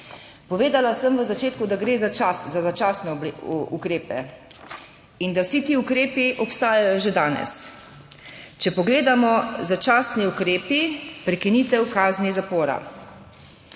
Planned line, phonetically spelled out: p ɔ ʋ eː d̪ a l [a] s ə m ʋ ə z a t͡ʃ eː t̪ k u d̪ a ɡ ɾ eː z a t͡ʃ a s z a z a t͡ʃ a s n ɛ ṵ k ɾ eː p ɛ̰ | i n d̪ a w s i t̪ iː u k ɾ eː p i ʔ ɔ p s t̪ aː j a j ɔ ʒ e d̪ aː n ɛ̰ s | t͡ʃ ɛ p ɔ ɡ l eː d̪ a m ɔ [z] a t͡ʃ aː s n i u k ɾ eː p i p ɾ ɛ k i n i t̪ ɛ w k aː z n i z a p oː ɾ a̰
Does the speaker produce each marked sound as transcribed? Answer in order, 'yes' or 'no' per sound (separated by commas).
yes, yes